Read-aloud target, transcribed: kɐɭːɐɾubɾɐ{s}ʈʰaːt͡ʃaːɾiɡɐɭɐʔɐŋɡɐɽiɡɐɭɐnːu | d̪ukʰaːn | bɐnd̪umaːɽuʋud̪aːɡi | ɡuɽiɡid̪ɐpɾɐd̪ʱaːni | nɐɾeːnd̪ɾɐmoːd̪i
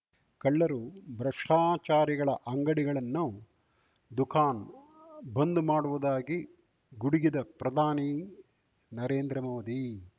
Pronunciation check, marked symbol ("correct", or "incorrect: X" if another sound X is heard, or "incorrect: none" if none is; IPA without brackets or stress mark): incorrect: ʂ